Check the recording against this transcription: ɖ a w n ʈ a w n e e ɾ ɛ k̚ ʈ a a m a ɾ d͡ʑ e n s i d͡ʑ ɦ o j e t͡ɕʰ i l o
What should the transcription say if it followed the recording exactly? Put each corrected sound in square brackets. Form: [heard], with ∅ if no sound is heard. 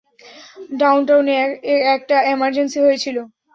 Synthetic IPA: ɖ a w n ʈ a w n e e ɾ ɛ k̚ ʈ a [e] m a ɾ d͡ʑ e n s i [∅] ɦ o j e t͡ɕʰ i l o